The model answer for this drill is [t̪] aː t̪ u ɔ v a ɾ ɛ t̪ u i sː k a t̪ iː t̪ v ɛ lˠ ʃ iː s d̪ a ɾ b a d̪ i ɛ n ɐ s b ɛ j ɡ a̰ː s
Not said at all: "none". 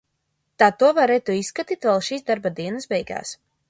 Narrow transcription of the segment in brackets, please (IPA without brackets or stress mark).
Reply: t̪